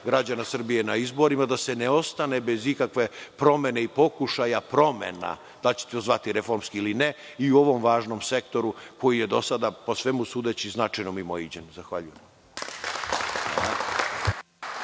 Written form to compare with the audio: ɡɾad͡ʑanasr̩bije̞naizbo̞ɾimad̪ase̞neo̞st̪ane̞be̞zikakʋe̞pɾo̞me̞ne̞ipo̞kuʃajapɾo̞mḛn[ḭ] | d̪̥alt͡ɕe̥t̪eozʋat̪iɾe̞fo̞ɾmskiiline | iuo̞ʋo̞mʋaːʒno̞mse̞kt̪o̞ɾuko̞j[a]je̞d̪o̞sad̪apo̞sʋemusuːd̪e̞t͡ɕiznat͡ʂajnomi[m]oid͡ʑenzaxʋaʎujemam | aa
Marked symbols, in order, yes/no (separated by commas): no, no, yes